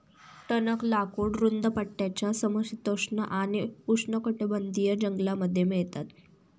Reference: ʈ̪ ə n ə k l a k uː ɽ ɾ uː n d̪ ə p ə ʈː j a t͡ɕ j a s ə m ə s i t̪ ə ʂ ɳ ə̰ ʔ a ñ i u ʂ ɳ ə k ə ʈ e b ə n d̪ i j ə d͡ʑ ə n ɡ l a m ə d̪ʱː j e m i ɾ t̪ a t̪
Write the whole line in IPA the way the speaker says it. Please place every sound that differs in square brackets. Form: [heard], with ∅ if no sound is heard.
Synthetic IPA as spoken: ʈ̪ ə n ə k l a k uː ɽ ɾ [u] n d̪ ə p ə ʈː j a t͡ɕ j a s ə m ə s i t̪ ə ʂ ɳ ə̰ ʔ a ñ i u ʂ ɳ ə k ə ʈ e b ə n d̪ i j ə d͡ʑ ə [ŋ] ɡ l a m ə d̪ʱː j e m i [ɭ] t̪ a t̪

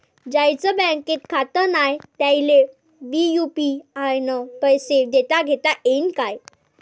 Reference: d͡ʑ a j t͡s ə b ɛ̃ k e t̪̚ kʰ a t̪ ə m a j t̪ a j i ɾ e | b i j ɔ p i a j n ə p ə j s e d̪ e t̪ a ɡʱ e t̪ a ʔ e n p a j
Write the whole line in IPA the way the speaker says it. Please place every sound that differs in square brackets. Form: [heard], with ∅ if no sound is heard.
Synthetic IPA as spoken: d͡ʑ a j t͡s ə b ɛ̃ k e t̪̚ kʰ a t̪ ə [n] a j t̪ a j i [l] e | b i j [u] p i a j n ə p ə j s e d̪ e t̪ a ɡʱ e t̪ a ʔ e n [k] a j

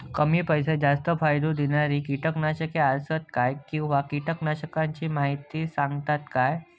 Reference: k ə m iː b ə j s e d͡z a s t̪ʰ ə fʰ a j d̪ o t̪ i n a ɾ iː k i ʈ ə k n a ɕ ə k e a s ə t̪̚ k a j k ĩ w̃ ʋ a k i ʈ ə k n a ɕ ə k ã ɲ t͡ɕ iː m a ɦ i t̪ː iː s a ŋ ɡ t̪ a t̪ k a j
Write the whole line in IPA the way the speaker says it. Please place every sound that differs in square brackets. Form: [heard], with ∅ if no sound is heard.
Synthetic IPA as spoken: k ə m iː [p] ə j s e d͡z a s [t̪] ə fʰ a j d̪ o [d̪] i n a ɾ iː k i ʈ ə k n a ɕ ə k e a s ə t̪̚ k a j k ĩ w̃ ʋ a k i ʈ ə k n a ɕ ə k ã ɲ t͡ɕ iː m a ɦ i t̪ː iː s a ŋ ɡ t̪ a t̪ k a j

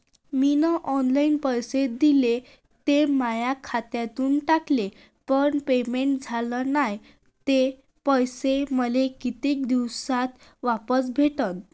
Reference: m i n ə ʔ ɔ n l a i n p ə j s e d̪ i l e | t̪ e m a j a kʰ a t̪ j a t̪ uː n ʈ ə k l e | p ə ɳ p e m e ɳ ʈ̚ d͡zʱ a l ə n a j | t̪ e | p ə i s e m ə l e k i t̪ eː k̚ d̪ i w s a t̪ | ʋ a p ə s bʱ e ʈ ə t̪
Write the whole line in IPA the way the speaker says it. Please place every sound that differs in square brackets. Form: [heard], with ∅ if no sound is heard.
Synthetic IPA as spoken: m i n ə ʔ ɔ n l a i n p ə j s e d̪ i l e | t̪ e m a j a kʰ a t̪ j a t̪ uː n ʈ [a] k l e | p ə ɳ p e m e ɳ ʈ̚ d͡zʱ a l ə n a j | t̪ e | p ə [j] s e m ə l e k i t̪ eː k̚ d̪ i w s a t̪ | ʋ a p ə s bʱ e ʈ ə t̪

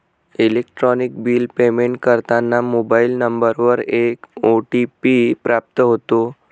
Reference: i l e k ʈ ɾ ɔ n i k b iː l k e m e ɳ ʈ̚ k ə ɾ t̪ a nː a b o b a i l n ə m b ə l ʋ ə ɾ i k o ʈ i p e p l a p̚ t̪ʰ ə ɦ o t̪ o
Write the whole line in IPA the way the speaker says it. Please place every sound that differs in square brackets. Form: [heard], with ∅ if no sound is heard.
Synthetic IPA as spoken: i l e k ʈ ɾ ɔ n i k b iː l [p] e m e ɳ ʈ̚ k ə ɾ t̪ a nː a [m] o b a i l n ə m b ə [ɾ] ʋ ə ɾ [e] k o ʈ i p [i] p [ɾ] a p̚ [t̪] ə ɦ o t̪ o

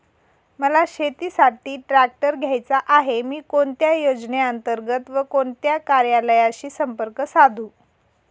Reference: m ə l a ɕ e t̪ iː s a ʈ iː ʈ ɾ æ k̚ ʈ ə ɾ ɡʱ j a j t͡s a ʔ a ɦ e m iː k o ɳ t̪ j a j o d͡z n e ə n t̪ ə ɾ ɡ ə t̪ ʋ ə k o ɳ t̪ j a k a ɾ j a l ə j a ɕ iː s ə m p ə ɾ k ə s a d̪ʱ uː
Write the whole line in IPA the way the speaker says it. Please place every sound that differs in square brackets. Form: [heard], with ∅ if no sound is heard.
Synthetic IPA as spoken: m ə l a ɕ e t̪ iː s a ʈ iː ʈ ɾ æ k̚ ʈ ə ɾ ɡʱ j a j t͡s a ʔ a ɦ e m iː k o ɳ t̪ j a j o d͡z n e ə n t̪ ə ɾ ɡ ə t̪ ʋ ə k o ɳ t̪ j a k a ɾ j a l ə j a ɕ iː s ə m p ə ɾ k ə s a d̪ʱ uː

